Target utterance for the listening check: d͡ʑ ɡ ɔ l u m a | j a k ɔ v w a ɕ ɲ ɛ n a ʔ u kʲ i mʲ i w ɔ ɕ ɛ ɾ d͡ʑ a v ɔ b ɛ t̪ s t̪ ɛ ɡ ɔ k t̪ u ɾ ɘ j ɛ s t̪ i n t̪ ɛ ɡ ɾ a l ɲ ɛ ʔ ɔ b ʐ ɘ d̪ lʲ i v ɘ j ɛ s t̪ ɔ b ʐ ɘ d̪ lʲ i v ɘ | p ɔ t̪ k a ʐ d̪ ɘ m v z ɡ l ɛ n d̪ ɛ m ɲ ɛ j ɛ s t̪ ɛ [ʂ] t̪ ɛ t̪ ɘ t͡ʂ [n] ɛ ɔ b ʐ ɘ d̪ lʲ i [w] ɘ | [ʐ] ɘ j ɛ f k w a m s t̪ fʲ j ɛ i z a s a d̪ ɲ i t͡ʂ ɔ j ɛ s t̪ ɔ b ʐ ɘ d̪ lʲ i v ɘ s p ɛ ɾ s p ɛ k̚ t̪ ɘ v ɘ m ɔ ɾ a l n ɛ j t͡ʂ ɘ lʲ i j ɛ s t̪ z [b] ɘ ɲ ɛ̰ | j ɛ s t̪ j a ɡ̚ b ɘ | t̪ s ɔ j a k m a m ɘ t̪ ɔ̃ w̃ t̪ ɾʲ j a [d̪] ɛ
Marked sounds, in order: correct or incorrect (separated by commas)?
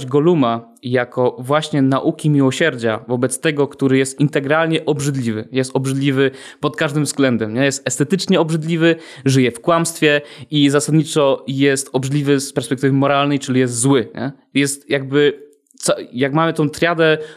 incorrect, incorrect, incorrect, correct, incorrect, correct